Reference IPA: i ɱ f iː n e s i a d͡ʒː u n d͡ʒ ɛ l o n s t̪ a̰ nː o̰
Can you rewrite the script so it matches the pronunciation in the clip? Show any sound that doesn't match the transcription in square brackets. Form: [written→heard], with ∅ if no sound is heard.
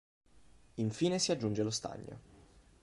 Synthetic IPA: i ɱ f iː n e s i a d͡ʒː u n d͡ʒ [ɛ→e] l o [n→∅] s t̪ a̰ [nː→ɲː] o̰